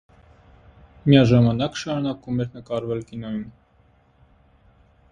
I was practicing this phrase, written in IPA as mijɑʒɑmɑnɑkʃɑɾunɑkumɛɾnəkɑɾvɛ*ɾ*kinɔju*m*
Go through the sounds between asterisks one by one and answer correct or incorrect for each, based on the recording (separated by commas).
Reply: incorrect, correct